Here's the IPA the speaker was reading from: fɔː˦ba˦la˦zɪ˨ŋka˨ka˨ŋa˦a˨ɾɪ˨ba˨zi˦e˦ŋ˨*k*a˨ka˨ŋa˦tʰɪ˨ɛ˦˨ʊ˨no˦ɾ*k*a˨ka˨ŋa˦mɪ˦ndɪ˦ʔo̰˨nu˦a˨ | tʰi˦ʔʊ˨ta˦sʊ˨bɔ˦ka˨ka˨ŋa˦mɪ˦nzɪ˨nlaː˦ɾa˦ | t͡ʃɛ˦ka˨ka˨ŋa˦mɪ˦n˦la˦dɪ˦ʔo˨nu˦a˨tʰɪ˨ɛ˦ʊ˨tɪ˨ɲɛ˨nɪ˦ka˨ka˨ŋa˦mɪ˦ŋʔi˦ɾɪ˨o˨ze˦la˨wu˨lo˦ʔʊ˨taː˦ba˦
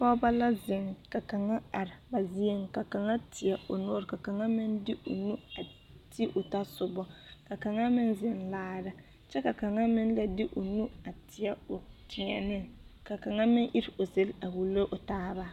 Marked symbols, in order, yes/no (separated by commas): yes, yes